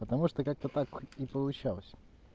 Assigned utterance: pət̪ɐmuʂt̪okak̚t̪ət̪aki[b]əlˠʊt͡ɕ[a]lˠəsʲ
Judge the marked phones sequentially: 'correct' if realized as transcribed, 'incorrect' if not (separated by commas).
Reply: incorrect, correct